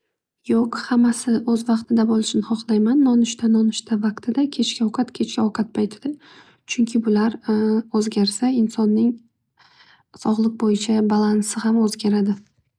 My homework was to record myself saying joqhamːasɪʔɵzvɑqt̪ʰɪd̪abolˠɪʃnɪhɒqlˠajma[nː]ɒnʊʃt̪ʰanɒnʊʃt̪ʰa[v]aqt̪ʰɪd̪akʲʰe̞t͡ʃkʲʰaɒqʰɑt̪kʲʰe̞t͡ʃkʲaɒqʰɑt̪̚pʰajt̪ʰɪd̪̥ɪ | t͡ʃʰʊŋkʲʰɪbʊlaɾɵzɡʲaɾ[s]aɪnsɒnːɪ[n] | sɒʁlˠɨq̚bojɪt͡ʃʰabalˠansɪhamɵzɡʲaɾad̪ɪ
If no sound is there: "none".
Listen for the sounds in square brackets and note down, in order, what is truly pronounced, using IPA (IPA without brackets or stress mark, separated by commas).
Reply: nː, v, s, ŋ